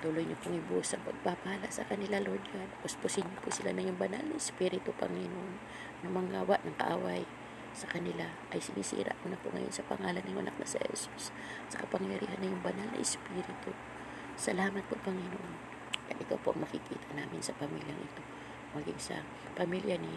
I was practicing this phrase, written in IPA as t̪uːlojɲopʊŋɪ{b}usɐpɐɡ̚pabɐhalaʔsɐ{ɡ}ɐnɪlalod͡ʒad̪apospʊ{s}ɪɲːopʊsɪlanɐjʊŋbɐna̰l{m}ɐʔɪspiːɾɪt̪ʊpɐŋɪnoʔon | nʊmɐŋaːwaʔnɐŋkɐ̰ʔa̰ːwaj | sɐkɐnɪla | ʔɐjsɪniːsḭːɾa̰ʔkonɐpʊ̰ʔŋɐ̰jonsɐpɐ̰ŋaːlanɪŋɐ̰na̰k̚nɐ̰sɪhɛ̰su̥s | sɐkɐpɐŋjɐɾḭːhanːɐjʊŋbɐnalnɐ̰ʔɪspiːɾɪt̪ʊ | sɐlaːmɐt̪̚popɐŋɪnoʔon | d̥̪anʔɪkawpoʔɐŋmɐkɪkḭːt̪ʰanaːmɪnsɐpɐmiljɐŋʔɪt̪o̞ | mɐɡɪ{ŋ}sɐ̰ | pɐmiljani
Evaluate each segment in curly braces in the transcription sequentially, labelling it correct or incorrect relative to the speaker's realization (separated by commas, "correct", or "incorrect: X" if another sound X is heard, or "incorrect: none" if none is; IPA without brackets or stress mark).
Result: correct, incorrect: k, correct, incorrect: n, correct